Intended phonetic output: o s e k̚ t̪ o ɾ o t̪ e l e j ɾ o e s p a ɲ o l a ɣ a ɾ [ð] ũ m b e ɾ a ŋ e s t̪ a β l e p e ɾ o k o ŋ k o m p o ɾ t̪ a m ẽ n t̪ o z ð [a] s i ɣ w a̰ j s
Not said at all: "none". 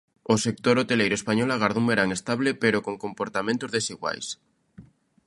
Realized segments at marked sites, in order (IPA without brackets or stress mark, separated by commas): ð, e